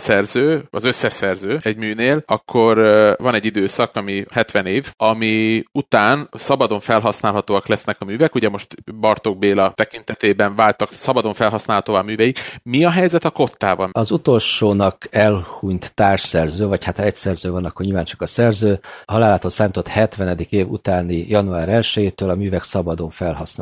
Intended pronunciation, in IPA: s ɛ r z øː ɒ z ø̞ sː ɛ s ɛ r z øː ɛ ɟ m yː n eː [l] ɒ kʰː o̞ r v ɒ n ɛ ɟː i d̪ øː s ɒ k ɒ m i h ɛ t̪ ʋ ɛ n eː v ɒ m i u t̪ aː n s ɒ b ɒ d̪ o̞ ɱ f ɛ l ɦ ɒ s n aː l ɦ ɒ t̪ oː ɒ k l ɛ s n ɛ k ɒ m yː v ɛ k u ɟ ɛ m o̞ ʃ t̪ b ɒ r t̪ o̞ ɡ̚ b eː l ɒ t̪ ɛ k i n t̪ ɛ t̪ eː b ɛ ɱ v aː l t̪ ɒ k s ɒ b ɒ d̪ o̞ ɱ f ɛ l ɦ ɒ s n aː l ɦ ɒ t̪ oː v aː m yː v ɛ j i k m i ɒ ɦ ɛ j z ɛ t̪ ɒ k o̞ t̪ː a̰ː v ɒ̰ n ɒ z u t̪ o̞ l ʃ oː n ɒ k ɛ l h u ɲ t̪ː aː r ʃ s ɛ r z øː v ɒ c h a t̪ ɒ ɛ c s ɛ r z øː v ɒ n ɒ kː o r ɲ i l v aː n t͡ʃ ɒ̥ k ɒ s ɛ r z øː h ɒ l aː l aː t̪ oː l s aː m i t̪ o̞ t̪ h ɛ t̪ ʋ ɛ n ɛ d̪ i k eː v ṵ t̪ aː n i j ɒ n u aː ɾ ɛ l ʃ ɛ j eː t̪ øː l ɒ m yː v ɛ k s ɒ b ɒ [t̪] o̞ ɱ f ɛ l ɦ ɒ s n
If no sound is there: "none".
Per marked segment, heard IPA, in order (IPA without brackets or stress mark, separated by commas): l, d̪